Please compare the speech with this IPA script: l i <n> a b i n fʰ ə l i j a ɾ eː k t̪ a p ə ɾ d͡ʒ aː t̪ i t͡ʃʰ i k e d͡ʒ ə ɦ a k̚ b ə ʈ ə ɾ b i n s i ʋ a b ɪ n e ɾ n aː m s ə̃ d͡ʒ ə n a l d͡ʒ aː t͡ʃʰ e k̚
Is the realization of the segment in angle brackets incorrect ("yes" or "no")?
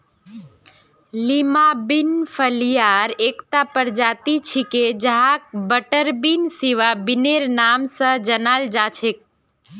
yes